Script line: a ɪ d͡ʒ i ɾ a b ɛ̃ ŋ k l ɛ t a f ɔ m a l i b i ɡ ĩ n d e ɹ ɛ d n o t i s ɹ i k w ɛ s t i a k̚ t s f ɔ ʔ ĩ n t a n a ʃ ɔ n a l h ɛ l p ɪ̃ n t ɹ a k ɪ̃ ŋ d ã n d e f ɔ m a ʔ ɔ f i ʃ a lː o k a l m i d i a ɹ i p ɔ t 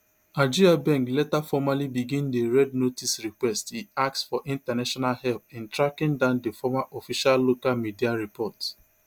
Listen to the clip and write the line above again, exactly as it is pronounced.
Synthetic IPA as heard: a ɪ d͡ʒ i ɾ a b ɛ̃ ŋ k l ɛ t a f ɔ m a l i b i ɡ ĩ n d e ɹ ɛ d n o t i s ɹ i k w ɛ s t i a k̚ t s f ɔ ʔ ĩ n t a n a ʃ ɔ n a l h ɛ l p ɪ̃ n t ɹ a k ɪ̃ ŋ d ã n d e f ɔ m a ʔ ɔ f i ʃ a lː o k a l m i d i a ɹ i p ɔ t